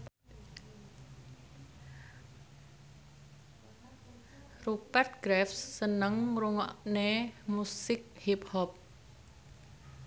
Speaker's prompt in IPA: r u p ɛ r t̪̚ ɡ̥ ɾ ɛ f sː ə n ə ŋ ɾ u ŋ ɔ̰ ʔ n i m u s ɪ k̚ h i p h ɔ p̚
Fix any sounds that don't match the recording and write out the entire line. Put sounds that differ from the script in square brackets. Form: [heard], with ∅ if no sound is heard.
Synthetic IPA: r u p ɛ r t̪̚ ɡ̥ ɾ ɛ f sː ə n ə ŋ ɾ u ŋ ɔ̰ ʔ n [e] m u s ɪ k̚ h i p h ɔ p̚